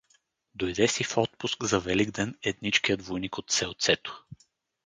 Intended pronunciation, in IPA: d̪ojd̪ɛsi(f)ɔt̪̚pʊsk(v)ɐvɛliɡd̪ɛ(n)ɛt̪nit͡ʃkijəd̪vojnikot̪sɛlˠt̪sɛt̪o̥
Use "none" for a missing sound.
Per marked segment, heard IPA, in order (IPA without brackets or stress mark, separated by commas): f, z, n